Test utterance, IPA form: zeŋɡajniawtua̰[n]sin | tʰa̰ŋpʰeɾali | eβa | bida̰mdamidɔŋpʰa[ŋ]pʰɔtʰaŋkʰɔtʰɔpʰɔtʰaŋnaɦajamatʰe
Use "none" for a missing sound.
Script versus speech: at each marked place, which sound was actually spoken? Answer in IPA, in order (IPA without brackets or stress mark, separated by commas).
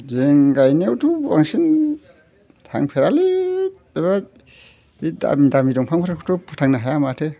ŋ, ŋ